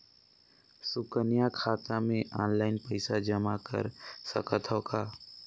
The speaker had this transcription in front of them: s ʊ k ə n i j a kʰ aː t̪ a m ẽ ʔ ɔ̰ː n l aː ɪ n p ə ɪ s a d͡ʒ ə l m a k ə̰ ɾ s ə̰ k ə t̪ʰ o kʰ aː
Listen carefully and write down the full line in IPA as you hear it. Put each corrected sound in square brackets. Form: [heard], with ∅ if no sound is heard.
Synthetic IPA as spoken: s ʊ k ə n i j a kʰ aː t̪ a m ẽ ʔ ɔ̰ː n l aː ɪ n p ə ɪ s a d͡ʒ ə [∅] m a k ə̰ ɾ s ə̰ k ə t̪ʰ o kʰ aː